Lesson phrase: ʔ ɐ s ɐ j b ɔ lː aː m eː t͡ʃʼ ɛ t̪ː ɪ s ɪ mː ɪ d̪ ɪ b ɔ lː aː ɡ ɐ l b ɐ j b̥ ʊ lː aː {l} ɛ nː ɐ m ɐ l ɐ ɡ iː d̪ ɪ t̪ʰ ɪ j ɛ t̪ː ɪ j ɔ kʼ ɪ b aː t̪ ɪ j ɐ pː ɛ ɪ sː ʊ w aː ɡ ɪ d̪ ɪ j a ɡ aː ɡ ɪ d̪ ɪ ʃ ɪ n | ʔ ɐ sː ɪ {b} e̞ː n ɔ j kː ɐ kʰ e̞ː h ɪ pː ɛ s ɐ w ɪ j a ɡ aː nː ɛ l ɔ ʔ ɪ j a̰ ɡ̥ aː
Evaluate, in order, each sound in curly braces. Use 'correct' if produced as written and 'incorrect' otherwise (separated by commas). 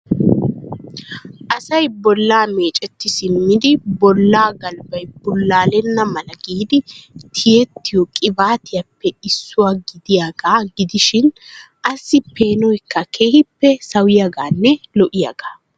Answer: correct, incorrect